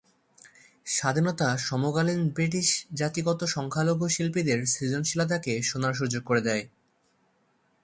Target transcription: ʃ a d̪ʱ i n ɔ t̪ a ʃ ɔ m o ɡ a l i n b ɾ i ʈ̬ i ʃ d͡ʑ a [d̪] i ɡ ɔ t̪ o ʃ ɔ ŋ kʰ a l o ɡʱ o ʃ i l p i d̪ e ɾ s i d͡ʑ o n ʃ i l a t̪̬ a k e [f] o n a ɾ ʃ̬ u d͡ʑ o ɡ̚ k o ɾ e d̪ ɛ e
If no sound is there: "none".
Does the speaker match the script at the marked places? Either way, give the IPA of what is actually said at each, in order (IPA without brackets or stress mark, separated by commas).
t̪, ʃ